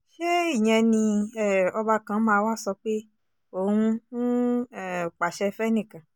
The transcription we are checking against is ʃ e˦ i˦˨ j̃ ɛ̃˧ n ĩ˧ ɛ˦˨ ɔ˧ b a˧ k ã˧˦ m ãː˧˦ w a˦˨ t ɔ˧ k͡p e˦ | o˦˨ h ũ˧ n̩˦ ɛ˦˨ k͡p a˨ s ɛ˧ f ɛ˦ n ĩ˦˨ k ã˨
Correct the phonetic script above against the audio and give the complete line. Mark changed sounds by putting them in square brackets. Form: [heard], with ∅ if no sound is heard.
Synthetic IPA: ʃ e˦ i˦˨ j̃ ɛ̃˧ n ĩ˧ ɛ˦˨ ɔ˧ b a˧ k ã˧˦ m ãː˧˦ w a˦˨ [s] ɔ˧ k͡p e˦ | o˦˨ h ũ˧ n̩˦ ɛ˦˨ k͡p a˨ [ʃ] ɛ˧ f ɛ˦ n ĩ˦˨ k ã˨